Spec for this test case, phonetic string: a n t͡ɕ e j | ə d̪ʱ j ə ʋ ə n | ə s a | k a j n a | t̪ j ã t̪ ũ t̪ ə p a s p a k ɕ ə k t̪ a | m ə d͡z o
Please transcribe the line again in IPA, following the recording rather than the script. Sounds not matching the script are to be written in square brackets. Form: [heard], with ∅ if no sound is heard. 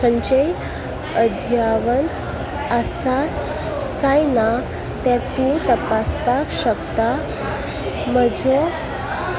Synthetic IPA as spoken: [ə] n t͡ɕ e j | ə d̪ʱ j [a] ʋ ə n | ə s a | k a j n a | t̪ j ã t̪ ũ t̪ ə p a s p a k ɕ ə k t̪ a | m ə d͡z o